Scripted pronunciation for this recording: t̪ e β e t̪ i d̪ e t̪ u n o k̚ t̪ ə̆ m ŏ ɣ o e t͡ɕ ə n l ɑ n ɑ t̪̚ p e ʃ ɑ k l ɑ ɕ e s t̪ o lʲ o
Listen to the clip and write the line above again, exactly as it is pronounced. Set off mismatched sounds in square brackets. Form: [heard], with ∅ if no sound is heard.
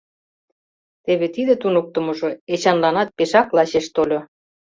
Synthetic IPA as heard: t̪ e β e t̪ i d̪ e t̪ u n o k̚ t̪ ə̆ m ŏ [ʒ] o e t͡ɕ [ɑ] n l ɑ n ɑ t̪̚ p e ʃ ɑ k l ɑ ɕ e [ʃ] t̪ o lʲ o